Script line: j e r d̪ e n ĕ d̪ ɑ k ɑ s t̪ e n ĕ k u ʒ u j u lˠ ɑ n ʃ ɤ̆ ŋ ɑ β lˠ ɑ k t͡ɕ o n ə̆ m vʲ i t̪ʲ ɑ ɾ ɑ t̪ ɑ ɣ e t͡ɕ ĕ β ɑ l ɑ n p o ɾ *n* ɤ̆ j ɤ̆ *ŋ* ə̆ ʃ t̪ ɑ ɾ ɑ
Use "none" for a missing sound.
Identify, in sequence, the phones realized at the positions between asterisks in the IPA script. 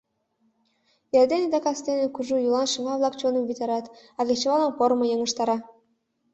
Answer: m, ŋ

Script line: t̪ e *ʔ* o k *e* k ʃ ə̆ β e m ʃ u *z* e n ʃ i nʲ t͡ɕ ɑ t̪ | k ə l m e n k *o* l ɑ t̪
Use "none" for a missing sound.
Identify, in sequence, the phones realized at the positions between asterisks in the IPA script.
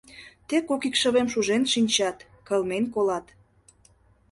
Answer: k, i, ʒ, o

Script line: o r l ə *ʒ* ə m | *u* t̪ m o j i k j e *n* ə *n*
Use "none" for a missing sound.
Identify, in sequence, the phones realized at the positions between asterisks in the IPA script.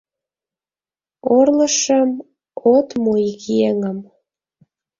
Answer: ʃ, o, ŋ, m

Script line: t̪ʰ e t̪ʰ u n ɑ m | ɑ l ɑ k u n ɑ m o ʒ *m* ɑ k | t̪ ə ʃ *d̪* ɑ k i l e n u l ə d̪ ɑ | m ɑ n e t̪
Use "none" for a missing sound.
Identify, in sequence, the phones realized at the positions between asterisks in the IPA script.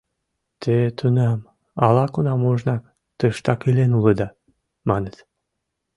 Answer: n, t̪

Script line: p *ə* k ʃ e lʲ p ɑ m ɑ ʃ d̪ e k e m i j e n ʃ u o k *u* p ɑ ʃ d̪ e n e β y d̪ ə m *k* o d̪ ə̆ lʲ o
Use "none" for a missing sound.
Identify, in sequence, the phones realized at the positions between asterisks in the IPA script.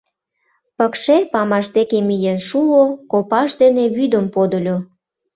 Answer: ə, o, p

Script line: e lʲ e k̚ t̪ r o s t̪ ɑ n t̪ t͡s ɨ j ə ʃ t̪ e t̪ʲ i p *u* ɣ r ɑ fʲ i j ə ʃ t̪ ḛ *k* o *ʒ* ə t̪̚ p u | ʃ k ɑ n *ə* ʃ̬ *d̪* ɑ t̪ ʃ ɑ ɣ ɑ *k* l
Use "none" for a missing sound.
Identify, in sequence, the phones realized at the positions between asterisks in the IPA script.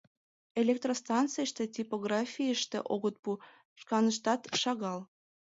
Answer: o, ʔ, ɣ, ə, t̪, none

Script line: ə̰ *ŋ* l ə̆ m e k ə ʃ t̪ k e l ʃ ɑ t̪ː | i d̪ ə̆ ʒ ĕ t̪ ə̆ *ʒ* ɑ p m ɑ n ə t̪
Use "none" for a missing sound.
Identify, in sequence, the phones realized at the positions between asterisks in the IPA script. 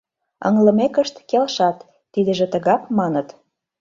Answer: ŋ, ɣ

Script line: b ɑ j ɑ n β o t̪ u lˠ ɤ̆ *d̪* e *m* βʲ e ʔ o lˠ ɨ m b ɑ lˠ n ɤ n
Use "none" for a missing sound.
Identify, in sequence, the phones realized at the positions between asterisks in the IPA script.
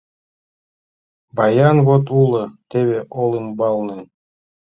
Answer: t̪, none

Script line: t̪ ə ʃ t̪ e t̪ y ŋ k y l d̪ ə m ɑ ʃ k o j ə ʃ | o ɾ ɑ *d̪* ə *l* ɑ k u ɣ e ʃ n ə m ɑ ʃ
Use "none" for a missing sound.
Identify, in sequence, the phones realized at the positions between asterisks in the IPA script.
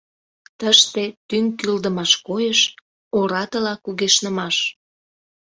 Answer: t̪, l

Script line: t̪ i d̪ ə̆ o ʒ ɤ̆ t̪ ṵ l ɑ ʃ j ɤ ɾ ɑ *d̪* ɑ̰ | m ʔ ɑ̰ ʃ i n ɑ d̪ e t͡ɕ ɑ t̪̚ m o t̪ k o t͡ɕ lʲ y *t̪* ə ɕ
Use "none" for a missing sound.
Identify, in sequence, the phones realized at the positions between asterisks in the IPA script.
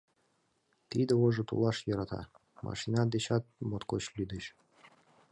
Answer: t̪, d̪

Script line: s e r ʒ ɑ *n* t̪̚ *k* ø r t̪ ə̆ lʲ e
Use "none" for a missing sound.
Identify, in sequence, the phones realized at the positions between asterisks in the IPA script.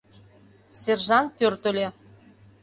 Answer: n, p

